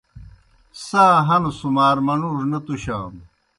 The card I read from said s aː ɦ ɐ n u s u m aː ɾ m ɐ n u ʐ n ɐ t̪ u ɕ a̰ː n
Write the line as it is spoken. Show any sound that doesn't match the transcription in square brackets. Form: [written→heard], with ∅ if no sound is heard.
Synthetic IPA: s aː ɦ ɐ n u s u m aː ɾ m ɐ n u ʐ n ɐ t̪ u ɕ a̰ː [n→m]